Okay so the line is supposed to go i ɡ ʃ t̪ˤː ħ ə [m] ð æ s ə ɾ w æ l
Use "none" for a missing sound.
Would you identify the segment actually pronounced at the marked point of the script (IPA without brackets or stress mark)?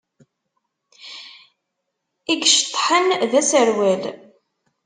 n